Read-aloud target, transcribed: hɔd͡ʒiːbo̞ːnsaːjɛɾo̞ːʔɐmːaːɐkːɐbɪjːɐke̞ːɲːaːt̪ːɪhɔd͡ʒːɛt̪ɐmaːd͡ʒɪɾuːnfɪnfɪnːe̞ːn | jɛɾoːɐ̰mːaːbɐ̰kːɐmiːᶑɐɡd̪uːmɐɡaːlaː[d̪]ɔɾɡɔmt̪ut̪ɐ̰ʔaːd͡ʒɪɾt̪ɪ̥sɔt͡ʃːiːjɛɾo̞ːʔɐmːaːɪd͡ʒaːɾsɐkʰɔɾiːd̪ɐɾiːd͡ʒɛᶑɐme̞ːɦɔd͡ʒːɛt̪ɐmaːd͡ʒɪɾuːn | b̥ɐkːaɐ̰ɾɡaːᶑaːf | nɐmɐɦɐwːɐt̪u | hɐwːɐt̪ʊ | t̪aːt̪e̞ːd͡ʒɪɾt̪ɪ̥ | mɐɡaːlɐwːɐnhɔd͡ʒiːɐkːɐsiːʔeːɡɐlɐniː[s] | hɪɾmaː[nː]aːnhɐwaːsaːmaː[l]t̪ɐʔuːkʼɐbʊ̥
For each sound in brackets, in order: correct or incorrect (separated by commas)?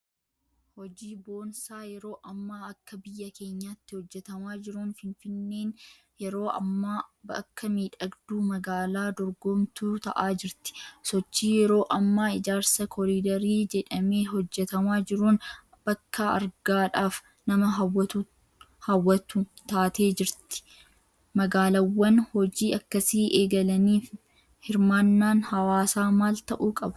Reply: correct, incorrect, correct, correct